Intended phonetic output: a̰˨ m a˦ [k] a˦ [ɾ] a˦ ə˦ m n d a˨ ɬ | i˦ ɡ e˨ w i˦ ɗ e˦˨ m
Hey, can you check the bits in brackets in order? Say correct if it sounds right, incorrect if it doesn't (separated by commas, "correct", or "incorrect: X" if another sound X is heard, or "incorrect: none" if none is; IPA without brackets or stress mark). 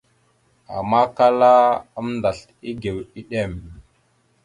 correct, incorrect: l